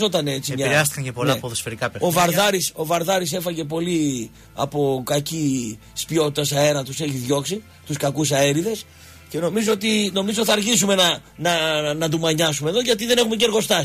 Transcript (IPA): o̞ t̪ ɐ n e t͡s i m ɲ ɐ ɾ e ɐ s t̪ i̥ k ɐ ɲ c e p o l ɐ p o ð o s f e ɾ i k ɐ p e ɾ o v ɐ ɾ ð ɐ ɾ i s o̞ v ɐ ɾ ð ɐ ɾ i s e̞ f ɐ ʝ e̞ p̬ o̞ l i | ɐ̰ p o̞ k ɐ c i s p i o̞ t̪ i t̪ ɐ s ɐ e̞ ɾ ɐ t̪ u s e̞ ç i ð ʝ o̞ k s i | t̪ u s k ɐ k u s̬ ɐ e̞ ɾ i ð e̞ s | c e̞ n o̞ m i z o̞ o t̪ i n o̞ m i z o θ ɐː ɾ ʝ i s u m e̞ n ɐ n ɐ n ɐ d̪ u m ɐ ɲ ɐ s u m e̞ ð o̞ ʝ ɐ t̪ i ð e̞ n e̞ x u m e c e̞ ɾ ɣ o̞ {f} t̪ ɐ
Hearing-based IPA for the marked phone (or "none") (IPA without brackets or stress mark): s